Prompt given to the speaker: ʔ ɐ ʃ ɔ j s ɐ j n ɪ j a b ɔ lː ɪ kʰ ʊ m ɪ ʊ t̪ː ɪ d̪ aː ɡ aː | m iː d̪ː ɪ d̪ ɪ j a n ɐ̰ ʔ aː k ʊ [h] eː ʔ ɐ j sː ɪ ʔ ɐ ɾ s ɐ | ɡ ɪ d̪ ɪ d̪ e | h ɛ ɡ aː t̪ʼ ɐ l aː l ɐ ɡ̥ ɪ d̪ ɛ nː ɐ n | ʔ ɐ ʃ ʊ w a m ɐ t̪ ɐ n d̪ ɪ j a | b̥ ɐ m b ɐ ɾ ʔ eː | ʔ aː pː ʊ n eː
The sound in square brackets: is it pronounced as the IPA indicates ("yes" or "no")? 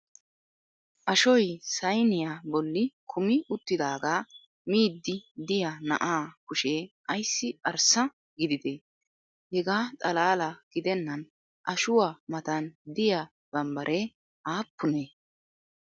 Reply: no